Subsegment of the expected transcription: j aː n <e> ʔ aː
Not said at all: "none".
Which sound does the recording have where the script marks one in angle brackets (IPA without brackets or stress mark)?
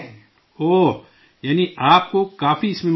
i